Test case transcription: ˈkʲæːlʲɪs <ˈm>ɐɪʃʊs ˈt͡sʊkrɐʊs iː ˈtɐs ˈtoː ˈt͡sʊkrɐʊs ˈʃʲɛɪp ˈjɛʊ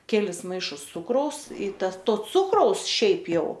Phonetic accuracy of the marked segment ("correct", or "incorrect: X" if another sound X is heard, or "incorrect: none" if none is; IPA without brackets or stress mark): correct